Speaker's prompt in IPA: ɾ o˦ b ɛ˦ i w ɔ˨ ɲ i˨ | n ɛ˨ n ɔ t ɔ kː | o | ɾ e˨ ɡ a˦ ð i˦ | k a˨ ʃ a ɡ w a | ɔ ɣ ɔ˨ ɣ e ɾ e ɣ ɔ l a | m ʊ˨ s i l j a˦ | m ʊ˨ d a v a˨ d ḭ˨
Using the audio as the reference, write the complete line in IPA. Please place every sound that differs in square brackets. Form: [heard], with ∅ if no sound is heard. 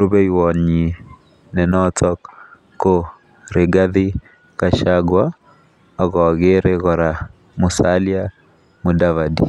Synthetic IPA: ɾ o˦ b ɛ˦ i w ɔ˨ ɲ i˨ | n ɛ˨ n ɔ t ɔ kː | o | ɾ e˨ ɡ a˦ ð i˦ | k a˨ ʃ a ɡ w a | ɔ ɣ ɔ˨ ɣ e ɾ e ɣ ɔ [ɾ] a | m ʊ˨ s [a] l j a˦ | m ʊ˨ d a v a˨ d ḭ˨